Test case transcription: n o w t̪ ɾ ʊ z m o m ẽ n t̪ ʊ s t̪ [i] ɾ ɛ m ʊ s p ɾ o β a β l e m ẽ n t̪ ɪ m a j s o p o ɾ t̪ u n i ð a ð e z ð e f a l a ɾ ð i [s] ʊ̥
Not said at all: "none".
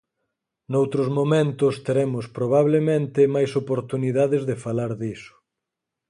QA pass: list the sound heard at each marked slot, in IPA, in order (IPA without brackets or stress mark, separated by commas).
e, s